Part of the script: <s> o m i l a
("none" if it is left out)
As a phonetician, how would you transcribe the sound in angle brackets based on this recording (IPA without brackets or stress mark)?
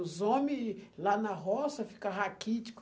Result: z